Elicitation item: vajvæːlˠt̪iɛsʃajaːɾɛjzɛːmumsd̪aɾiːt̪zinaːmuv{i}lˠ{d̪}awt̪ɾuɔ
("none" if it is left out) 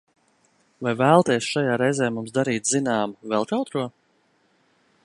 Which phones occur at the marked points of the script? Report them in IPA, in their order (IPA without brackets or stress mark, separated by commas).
ɛ, t̪